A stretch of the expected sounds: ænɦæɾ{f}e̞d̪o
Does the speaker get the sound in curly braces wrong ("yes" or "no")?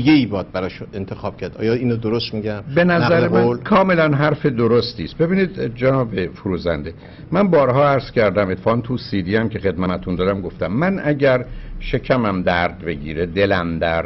no